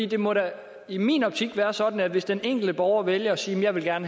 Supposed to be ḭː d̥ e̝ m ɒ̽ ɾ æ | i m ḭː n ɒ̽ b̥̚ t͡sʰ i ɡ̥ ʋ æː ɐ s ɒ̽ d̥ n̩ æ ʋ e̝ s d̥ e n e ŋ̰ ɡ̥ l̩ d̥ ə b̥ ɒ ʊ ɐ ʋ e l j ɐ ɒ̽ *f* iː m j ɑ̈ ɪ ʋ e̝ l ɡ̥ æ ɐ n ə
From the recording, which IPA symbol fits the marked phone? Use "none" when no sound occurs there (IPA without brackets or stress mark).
s